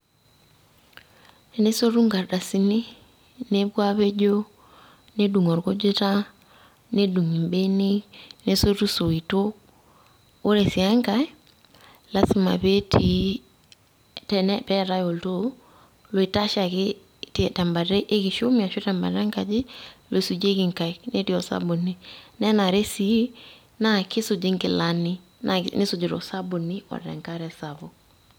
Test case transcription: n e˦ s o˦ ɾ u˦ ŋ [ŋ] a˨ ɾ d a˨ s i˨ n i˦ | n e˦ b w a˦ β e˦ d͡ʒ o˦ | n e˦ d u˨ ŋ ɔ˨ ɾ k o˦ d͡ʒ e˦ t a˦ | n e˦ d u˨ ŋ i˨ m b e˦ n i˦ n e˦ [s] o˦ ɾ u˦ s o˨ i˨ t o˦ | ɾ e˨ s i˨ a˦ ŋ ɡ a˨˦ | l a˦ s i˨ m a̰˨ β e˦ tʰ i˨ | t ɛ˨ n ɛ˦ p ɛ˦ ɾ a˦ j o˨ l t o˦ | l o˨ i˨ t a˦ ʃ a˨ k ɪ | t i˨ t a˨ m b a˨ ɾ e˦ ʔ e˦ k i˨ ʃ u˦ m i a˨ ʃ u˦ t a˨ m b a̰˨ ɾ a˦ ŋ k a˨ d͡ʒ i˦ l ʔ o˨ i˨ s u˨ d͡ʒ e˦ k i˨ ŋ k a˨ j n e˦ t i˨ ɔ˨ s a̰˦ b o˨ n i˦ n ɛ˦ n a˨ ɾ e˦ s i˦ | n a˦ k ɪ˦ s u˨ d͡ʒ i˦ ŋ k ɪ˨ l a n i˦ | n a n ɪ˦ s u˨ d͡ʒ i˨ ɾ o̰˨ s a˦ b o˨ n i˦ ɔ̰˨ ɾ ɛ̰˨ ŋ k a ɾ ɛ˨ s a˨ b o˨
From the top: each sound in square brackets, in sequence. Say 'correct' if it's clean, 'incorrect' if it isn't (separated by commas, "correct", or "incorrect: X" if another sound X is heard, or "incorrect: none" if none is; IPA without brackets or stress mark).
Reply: incorrect: ɡ, correct